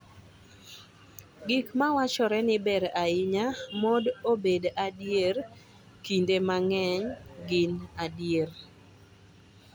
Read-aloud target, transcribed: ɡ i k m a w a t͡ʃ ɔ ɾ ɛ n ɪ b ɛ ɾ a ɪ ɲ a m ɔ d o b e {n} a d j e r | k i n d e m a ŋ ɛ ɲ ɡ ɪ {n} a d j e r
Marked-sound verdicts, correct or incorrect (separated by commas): incorrect, correct